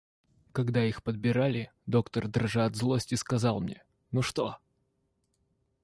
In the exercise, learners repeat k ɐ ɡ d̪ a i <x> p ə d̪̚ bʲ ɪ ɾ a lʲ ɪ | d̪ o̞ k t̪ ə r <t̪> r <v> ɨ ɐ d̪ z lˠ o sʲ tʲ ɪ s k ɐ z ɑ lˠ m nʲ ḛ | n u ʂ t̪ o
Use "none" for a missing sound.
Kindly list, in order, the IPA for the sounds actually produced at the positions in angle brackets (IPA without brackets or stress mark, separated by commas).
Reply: x, d̪, ʐ